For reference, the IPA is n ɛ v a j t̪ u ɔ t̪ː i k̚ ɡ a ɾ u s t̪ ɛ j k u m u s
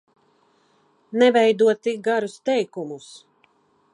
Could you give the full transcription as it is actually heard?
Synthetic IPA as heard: n ɛ v ɛ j d̪ u ɔ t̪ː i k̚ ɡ a ɾ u s t̪ ɛ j k u m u s